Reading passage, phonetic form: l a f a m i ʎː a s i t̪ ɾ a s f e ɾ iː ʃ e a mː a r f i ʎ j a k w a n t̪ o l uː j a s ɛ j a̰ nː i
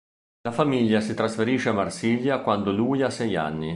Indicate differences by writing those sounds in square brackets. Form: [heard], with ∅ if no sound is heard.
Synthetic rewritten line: l a f a m i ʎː a s i t̪ ɾ a s f e ɾ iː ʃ e a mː a r [s] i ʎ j a k w a n [d̪] o l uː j a s ɛ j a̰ nː i